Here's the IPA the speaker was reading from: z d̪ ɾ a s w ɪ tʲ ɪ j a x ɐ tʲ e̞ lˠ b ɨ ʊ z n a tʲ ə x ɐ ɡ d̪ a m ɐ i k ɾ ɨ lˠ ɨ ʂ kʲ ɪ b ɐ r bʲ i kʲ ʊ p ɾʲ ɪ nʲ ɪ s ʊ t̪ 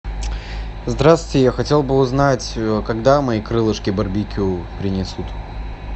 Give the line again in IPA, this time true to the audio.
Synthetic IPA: z d̪ ɾ a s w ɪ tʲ ɪ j a x ɐ tʲ e̞ lˠ b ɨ ʊ z n a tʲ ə k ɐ ɡ d̪ a m ɐ i k ɾ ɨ lˠ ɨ ʂ kʲ ɪ b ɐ r bʲ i kʲ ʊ p ɾʲ ɪ nʲ ɪ s u t̪